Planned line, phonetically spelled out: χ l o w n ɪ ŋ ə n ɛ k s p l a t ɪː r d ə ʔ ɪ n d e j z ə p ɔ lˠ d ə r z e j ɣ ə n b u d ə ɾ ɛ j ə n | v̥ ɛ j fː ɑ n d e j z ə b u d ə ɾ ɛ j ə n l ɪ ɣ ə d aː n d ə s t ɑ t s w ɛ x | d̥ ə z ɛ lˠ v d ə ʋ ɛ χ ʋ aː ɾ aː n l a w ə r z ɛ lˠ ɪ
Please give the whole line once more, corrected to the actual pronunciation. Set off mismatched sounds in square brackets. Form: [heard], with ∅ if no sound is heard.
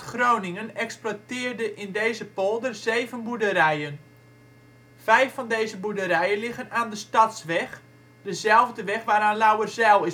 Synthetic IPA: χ [r] o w n ɪ ŋ ə n ɛ k s p l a t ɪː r d ə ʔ ɪ n d e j z ə p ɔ lˠ d ə r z e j [v] ə n b u d ə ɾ ɛ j ə n | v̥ ɛ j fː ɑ n d e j z ə b u d ə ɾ ɛ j ə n l ɪ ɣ ə [n] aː n d ə s t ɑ t s [ʋ] ɛ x | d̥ ə z ɛ lˠ v d ə ʋ ɛ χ ʋ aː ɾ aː n l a w ə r z ɛ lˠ ɪ